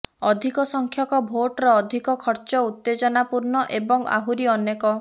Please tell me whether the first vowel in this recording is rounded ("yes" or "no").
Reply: yes